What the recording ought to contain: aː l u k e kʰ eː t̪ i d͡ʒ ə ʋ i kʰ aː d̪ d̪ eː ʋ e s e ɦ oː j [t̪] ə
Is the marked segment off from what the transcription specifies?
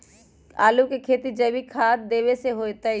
no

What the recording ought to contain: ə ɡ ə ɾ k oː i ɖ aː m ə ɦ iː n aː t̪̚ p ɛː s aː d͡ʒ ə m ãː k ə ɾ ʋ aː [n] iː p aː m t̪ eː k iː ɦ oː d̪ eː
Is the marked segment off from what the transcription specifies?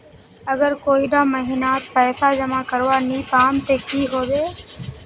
no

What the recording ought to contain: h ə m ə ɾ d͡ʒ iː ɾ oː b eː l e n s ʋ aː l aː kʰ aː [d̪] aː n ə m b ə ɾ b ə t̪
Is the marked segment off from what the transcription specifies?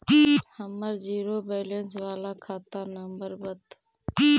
yes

